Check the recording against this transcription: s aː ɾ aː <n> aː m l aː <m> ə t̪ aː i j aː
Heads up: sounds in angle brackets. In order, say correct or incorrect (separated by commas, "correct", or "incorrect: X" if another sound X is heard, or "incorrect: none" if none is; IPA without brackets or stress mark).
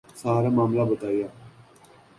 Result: incorrect: m, incorrect: b